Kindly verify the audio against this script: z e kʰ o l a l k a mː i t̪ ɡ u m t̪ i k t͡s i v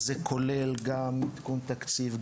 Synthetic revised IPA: z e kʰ o l e l ɡ a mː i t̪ k u n t̪ a k t͡s i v

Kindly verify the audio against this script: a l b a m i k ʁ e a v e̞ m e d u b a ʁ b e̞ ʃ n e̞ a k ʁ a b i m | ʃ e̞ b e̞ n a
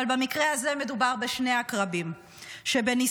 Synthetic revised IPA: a l b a m i k ʁ e a z e̞ m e d u b a ʁ b e̞ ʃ n e̞ a k ʁ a b i m | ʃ e̞ b e̞ n i

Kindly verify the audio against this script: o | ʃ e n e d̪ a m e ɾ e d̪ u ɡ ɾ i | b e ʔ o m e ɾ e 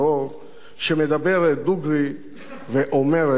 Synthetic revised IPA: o | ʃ e m e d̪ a b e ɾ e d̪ u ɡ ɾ i | v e ʔ o m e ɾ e

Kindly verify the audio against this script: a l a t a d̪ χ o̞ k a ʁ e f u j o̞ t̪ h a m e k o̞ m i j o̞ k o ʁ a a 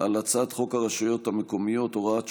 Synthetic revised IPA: a l a t͡s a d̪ χ o̞ k a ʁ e ʃ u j o̞ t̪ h a m e k o̞ m i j o̞ t o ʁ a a

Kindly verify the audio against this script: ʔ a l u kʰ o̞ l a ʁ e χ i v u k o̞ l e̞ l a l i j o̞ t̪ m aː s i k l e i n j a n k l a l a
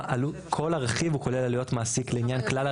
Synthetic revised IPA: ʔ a l u kʰ o̞ l a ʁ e χ i v u k o̞ l e̞ l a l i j o̞ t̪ m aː s i k l e i n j a n k l a l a

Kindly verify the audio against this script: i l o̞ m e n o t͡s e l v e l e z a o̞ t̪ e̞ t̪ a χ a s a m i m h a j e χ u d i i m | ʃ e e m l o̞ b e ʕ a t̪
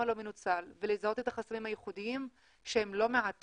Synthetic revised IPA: a l o̞ m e n u t͡s a l v e l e z a o̞ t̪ e̞ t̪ a χ a s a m i m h a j e χ u d i i m | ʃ e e m l o̞ m e ʕ a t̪

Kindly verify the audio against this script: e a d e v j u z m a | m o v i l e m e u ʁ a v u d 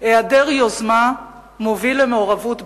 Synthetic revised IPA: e a d e ʁ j o z m a | m o v i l e m e o ʁ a v u t

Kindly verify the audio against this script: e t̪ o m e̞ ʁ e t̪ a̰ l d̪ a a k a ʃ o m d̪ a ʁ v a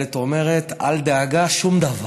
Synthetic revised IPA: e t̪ o m e̞ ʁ e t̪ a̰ l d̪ e a ɡ a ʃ u m d̪ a v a

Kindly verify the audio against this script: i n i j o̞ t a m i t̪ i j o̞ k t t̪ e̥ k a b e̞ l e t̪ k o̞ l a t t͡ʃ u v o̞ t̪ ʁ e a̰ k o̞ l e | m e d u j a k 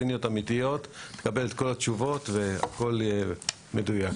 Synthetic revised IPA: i n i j o̞ t a m i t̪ i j o̞ t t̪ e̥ k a b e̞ l e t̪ k o̞ l a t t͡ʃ u v o̞ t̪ v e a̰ k o̞ l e | m e d u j a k

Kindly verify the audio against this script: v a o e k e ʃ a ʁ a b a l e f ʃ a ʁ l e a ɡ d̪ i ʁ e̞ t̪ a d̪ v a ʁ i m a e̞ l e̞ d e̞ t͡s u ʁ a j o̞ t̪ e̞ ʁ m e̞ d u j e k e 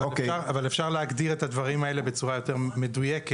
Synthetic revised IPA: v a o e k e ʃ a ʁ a v a l e f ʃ a ʁ l e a ɡ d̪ i ʁ e̞ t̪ a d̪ v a ʁ i m a e̞ l e̞ b e̞ t͡s u ʁ a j o̞ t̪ e̞ ʁ m e̞ d u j e k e

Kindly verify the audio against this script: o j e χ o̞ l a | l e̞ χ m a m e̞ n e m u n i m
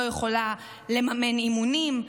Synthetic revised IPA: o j e χ o̞ l a | l e̞ m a m e̞ n i m u n i m

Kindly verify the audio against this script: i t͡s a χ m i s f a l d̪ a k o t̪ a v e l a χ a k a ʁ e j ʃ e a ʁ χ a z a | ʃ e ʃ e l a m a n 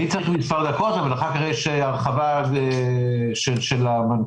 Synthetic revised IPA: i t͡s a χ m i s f a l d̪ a k o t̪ a v a l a χ a k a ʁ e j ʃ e a ʁ χ a v a | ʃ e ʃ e l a m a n

